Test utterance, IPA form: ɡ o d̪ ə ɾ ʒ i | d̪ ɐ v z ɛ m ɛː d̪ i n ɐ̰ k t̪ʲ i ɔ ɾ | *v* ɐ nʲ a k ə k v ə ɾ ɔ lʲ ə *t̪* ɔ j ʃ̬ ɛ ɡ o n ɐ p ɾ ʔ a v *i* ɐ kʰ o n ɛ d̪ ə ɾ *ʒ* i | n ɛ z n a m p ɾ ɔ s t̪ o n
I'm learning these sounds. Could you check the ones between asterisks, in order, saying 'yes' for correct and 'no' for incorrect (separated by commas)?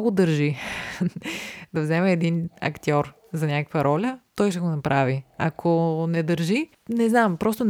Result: no, yes, yes, yes